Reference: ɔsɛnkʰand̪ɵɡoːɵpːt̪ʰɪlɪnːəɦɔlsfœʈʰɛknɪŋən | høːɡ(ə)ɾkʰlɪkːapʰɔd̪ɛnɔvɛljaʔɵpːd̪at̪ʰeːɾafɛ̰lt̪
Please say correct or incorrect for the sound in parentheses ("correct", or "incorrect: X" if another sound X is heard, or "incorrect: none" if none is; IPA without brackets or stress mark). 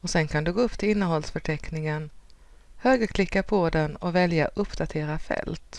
correct